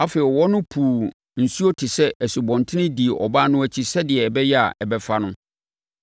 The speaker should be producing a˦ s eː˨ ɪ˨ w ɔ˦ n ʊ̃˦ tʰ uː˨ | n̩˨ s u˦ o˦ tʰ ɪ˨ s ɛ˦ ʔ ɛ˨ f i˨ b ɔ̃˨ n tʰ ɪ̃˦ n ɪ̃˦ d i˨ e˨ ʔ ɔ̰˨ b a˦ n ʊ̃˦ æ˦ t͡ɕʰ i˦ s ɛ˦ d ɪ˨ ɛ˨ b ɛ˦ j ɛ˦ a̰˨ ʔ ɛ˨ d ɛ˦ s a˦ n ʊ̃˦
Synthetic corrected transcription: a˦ f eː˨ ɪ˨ w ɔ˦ n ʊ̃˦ pʰ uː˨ | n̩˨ s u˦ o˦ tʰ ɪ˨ s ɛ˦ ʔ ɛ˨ s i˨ b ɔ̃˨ n tʰ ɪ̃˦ n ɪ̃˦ d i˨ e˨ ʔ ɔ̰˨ b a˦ n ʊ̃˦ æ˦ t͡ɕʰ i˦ s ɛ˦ d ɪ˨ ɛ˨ b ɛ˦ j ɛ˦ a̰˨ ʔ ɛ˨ b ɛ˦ f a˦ n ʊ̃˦